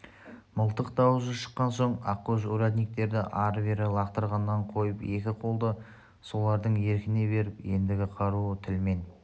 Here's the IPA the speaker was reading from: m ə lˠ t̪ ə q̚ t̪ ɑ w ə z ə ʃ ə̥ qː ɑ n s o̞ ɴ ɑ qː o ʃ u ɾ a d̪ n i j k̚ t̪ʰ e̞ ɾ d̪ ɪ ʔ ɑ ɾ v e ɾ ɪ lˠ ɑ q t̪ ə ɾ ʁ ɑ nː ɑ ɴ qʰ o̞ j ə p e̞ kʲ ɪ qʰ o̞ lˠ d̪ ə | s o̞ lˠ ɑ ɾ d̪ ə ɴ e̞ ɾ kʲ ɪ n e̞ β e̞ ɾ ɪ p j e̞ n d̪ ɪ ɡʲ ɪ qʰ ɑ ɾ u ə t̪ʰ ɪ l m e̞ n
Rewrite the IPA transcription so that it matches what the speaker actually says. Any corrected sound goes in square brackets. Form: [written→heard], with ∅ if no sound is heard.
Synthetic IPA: m ə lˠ t̪ ə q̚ [t̪→d̪] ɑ w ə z ə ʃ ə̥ qː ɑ n s o̞ ɴ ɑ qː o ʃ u ɾ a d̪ n i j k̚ [t̪ʰ→t̪] e̞ ɾ d̪ ɪ ʔ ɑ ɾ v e ɾ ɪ lˠ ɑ q t̪ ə ɾ ʁ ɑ nː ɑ ɴ qʰ o̞ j ə p e̞ kʲ ɪ qʰ o̞ lˠ d̪ ə | s o̞ lˠ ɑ ɾ d̪ ə ɴ e̞ ɾ kʲ ɪ n e̞ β e̞ ɾ ɪ p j e̞ n d̪ ɪ ɡʲ ɪ qʰ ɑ ɾ u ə t̪ʰ ɪ l m e̞ n